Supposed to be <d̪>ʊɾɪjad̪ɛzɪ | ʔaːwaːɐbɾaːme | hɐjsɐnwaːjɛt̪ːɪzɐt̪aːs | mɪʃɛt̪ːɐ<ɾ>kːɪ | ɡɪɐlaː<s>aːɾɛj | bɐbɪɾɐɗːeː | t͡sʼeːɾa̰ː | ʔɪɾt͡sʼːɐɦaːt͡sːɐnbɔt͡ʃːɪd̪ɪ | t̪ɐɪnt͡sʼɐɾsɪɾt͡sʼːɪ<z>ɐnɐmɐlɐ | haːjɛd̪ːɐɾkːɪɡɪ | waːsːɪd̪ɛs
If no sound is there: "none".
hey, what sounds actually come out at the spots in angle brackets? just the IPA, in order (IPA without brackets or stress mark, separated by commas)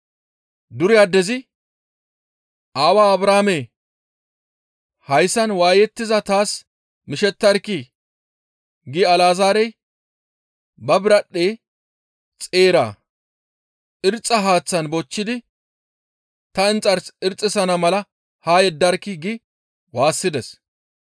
d̪, ɾ, z, s